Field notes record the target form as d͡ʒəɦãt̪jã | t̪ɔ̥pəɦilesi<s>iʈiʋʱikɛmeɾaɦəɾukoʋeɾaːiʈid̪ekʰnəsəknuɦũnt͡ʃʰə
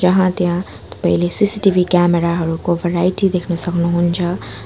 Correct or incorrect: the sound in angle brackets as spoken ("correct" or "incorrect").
correct